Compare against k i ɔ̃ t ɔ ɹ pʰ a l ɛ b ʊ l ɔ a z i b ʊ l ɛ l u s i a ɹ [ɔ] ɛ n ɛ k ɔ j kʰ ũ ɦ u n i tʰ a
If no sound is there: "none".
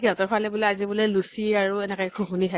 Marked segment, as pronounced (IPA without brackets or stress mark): u